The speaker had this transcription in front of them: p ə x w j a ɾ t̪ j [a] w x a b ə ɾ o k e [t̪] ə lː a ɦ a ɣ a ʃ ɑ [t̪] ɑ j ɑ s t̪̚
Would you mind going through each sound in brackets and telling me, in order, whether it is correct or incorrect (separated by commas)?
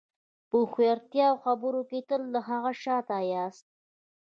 incorrect, correct, correct